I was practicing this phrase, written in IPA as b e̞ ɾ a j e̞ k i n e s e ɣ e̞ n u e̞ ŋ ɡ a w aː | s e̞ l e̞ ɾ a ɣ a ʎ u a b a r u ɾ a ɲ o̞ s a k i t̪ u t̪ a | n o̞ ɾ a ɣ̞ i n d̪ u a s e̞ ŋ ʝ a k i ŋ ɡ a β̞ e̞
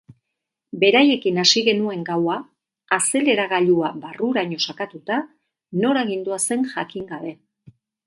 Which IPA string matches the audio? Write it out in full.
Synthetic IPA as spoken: b e̞ ɾ a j e̞ k i n a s i ɣ e̞ n u e̞ ŋ ɡ a w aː | s e̞ l e̞ ɾ a ɣ a ʎ u a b a r u ɾ a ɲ o̞ s a k a t̪ u t̪ a | n o̞ ɾ a ɣ̞ i n d̪ u a s e̞ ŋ ʝ a k i ŋ ɡ a β̞ e̞